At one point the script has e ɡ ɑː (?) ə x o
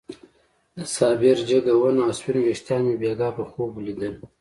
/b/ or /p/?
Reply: p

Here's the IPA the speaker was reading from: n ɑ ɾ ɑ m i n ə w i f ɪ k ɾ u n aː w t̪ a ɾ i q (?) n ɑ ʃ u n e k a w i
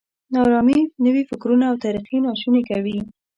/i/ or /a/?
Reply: i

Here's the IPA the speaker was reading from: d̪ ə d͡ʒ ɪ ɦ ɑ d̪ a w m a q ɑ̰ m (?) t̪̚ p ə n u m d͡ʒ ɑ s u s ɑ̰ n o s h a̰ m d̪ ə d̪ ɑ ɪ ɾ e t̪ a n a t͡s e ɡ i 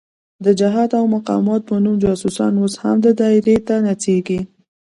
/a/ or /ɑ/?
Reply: ɑ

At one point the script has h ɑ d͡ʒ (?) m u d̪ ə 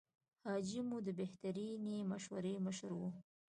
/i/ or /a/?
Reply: i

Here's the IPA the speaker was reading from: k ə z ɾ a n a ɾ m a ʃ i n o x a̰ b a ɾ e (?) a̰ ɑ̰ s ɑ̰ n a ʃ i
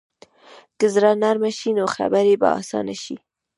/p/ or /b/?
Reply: b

